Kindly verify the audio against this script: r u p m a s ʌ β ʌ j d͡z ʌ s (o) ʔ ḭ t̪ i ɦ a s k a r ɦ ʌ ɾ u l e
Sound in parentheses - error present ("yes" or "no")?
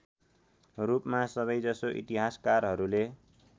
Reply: no